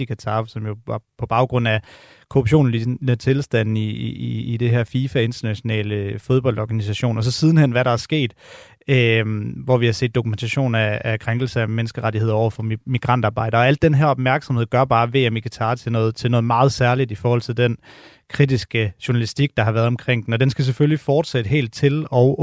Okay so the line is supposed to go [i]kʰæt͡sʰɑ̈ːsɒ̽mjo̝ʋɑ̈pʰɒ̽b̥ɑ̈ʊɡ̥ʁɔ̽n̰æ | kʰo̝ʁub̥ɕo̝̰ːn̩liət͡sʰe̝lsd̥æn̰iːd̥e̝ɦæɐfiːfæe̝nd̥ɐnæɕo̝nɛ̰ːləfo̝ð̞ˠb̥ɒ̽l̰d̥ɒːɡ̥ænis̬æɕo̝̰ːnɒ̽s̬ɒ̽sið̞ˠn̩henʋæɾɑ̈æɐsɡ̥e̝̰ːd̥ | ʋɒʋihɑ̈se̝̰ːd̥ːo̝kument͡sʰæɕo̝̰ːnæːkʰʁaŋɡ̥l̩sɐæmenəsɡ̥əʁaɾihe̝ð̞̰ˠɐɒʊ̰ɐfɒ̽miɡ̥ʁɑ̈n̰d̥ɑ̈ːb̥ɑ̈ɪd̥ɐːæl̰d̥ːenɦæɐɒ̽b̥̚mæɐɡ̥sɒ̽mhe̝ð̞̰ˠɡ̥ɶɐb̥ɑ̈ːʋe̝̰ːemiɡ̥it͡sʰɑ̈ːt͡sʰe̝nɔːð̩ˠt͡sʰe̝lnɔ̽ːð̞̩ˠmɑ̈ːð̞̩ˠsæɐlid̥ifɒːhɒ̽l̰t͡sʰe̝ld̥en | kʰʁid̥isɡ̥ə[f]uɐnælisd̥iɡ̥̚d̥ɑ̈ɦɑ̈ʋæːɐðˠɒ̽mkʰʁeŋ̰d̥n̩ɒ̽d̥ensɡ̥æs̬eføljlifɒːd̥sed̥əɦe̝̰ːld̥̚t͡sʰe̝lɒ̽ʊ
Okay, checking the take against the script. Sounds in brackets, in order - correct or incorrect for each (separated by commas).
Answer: correct, incorrect